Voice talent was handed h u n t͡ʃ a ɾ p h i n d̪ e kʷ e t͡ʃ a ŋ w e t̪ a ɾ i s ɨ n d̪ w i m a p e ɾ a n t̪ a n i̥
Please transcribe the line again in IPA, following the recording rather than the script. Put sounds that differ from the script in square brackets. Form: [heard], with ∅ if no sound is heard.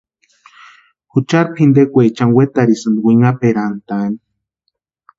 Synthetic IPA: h u [∅] t͡ʃ a ɾ p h i n d̪ e kʷ e t͡ʃ a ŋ w e t̪ a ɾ i s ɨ n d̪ w i [ŋ] a p e ɾ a n t̪ a n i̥